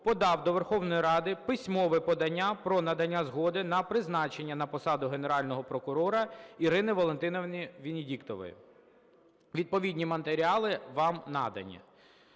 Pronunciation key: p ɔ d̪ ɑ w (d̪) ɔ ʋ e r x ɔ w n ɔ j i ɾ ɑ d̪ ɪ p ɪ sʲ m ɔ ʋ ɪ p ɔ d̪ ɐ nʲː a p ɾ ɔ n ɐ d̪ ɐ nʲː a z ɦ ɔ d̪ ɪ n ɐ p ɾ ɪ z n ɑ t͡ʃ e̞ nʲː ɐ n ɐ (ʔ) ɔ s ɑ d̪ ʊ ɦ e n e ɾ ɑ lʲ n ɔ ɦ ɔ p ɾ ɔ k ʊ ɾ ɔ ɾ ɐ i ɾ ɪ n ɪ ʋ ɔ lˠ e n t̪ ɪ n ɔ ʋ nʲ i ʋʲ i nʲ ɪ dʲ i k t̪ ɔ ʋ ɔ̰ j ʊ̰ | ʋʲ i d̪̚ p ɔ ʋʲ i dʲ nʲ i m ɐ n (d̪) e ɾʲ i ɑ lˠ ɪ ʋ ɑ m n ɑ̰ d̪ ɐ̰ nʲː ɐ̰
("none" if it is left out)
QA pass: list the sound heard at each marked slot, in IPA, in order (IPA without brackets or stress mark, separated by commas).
d̪, p, t̪